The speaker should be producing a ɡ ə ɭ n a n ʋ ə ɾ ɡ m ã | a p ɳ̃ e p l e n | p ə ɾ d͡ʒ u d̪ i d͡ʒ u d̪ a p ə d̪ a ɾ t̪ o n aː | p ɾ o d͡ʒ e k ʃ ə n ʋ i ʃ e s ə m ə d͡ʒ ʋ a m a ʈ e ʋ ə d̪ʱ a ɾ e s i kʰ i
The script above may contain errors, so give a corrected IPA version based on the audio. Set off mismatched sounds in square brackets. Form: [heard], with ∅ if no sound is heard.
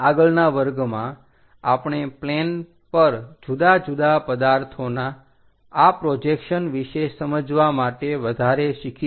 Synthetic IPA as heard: a ɡ ə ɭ n a [∅] ʋ ə ɾ ɡ m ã | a p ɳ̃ e p l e n | p ə ɾ d͡ʒ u d̪ [a] d͡ʒ u d̪ a p ə d̪ a ɾ [t̪ʰ] o n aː | p ɾ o d͡ʒ e k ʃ ə n ʋ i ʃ e s ə m ə d͡ʒ ʋ a m a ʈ e ʋ ə d̪ʱ a ɾ e [ʃ] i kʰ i

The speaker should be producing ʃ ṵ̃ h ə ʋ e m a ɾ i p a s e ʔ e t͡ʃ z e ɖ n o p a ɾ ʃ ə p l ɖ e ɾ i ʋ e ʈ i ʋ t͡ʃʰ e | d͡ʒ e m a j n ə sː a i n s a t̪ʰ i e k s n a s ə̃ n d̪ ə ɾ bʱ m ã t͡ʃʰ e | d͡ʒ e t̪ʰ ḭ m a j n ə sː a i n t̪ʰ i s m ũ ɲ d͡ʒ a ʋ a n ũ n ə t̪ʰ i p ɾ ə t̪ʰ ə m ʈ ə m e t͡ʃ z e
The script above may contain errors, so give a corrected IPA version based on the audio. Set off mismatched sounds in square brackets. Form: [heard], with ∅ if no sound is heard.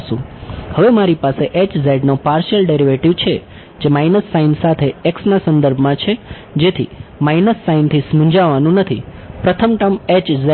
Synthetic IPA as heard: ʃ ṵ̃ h ə ʋ e m a ɾ i p a s e ʔ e t͡ʃ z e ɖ n o p a ɾ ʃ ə [∅] l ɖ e ɾ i ʋ e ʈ i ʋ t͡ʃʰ e | d͡ʒ e m a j n ə sː a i n s a t̪ʰ [e] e k s n a s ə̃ n d̪ ə ɾ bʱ m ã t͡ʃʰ e | d͡ʒ e t̪ʰ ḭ m a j n ə sː a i n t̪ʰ i s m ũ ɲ d͡ʒ a ʋ a n ũ n ə t̪ʰ i p ɾ ə t̪ʰ ə m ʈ ə m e t͡ʃ z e

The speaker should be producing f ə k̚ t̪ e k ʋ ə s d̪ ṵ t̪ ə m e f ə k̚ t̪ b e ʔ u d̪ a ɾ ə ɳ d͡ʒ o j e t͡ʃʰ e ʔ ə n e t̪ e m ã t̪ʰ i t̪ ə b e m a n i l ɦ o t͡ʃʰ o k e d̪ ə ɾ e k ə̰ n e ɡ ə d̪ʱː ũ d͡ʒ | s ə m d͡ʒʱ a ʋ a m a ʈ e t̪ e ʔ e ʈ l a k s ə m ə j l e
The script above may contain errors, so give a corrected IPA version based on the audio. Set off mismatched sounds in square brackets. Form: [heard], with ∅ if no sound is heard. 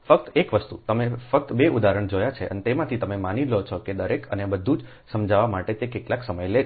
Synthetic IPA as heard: f ə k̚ t̪ e k ʋ ə s [t̪] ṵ t̪ ə m e f ə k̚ t̪ b e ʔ u d̪ a ɾ ə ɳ d͡ʒ o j [a] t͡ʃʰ e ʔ ə n e t̪ e m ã t̪ʰ i t̪ ə [m] e m a n i l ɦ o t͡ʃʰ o k e d̪ ə ɾ e k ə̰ n e [b] ə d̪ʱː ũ d͡ʒ | s ə m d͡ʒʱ a ʋ a m a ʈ e t̪ e [k] e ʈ l a k s ə m ə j l e

